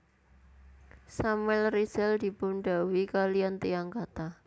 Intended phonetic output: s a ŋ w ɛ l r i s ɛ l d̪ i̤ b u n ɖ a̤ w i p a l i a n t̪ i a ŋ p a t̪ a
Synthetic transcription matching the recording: s a m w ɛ l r i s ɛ l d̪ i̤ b u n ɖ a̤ w i k a l i a n t̪ i a ŋ k a t̪ a